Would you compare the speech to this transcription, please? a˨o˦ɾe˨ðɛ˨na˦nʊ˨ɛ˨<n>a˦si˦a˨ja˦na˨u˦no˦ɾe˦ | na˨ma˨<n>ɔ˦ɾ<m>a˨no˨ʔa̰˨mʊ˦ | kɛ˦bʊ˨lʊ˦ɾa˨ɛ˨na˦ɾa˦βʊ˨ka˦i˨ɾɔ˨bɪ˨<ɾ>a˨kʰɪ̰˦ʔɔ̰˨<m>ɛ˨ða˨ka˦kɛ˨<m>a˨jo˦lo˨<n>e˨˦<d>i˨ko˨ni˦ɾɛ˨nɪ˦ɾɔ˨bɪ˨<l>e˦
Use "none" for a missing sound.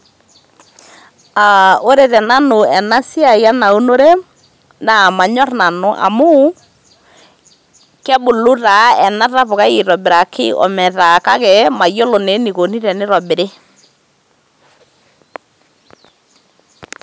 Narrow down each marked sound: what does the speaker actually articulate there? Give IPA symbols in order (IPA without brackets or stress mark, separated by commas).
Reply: n, ɲ, n, ɾ, m, m, n, n, ɾ